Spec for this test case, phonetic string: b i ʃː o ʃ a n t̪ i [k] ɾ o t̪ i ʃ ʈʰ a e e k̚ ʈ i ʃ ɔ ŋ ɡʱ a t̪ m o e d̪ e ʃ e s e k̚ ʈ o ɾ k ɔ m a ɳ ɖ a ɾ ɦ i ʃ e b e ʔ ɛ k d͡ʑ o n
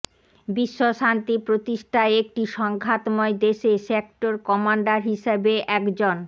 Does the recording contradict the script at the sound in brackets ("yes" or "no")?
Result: yes